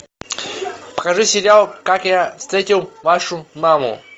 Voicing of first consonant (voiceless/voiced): voiceless